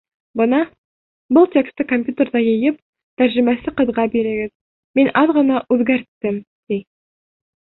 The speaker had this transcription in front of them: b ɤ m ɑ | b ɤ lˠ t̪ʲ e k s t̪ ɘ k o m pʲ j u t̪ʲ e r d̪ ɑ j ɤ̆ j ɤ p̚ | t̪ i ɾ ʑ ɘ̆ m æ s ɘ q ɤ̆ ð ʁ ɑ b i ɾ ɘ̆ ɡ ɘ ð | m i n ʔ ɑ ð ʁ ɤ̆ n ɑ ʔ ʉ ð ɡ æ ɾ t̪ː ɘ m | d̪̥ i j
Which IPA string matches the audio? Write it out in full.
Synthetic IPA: b ɤ n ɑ | b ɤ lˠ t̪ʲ e k s t̪ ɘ k o m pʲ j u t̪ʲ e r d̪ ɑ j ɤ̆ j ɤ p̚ | t̪ æ ɾ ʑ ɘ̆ m æ s ɘ q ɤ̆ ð ʁ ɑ b i ɾ ɘ̆ ɡ ɘ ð | m i n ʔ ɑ ð ʁ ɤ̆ n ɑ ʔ ʉ ð ɡ æ ɾ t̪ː ɘ m | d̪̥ i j